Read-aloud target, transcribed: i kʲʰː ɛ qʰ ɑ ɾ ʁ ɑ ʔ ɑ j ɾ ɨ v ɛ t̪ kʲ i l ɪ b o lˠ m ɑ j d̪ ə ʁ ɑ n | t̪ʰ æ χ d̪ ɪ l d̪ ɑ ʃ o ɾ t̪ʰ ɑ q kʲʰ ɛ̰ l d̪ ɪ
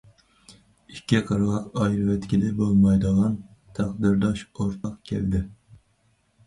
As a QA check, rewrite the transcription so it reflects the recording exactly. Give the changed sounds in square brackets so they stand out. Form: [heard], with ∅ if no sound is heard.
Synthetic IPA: i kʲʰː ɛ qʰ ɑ ɾ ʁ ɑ [q] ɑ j ɾ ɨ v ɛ t̪ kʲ i l ɪ b o lˠ m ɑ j d̪ ə ʁ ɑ n | t̪ʰ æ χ d̪ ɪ [ɾ] d̪ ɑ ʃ o ɾ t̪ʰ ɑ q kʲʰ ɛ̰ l d̪ ɪ